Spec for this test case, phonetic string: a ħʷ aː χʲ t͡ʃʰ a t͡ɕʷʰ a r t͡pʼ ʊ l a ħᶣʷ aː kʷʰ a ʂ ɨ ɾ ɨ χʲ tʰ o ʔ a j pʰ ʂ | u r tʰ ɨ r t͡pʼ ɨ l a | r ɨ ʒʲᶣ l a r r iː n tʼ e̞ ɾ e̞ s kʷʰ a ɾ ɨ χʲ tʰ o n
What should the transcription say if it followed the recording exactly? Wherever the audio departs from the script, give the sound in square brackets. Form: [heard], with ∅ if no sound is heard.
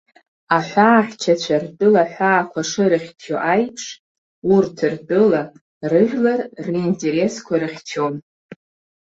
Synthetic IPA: a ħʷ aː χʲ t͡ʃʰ a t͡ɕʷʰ a r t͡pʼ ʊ l a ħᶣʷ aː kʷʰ a ʂ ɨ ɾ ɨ χʲ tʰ o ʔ a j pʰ ʂ | u r tʰ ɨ r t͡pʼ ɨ l a | r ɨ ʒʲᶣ l a r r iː n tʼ e̞ ɾ e̞ s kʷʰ a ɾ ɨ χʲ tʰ o n